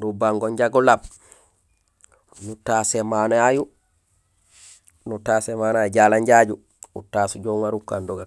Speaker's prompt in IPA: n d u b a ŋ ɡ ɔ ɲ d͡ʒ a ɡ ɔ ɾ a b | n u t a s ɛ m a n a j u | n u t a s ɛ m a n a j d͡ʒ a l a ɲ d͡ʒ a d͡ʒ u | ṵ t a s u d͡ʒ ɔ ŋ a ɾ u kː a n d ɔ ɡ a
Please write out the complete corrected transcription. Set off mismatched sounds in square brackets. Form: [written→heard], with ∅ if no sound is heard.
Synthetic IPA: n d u b a ŋ ɡ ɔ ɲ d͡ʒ a ɡ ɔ [ɾ→l] a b | n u t a s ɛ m a n a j u | n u t a s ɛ m a n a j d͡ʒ a l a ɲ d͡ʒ a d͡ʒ u | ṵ t a s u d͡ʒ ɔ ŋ a ɾ u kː a n d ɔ ɡ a